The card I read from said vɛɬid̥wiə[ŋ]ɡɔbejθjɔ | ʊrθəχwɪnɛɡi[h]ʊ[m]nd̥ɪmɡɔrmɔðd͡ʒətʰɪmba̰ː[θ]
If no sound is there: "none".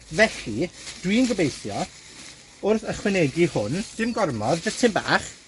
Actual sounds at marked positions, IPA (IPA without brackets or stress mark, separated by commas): n, h, none, χ